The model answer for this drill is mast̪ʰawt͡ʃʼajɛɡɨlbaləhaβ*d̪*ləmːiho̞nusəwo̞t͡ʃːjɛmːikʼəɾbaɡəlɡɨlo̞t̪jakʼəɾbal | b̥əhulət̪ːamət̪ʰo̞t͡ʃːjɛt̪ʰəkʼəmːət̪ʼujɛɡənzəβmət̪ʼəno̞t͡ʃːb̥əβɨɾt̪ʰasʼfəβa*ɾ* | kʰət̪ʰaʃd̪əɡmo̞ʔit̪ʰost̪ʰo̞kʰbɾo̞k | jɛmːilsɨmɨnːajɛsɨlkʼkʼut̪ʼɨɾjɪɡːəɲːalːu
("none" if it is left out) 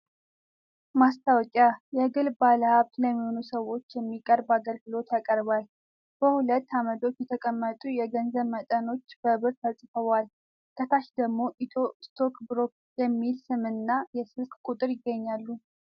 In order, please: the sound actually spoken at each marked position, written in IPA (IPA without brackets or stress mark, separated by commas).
t̪, l